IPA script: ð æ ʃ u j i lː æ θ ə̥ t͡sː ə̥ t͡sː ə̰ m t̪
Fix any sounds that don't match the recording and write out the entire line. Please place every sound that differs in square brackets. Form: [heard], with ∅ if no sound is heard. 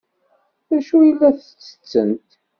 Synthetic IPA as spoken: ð æ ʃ u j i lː æ θ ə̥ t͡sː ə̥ t͡sː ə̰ [n] t̪